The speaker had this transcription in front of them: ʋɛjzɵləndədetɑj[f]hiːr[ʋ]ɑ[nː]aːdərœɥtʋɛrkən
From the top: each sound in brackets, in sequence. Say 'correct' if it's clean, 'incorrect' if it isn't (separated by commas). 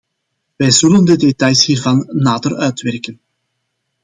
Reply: incorrect, incorrect, correct